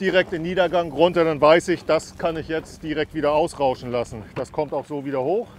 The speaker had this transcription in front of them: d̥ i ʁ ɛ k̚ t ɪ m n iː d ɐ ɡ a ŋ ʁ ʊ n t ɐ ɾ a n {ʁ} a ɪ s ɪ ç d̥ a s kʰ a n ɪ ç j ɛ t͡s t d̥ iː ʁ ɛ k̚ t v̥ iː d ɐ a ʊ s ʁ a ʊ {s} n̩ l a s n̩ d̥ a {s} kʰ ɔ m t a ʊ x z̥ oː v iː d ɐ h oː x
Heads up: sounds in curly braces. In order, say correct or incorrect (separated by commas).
incorrect, incorrect, correct